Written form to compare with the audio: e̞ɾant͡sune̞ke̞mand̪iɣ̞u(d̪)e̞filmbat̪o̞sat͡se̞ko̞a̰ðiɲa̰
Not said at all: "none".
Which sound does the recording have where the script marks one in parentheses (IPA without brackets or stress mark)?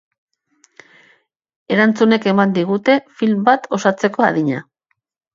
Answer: t̪